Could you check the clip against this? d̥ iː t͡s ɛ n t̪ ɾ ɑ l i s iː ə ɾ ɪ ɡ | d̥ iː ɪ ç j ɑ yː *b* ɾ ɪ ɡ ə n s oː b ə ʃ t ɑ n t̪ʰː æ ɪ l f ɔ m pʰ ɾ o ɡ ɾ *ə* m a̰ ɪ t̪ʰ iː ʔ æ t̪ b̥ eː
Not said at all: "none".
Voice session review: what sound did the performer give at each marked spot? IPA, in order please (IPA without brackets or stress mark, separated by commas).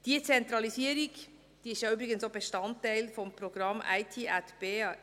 b, ɑ